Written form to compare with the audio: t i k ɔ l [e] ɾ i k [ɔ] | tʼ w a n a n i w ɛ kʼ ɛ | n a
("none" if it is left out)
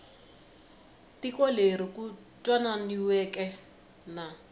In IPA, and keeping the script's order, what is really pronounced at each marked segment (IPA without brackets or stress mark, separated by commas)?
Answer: e, u